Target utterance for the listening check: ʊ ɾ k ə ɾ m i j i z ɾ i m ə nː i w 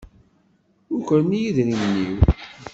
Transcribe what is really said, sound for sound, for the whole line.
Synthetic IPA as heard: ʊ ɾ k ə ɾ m i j i ð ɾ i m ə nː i w